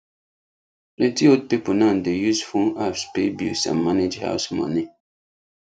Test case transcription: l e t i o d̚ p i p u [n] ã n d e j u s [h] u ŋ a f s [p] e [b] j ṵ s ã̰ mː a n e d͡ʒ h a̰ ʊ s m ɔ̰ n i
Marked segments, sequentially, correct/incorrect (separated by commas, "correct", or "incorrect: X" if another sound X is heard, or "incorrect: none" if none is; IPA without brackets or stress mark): correct, incorrect: f, correct, correct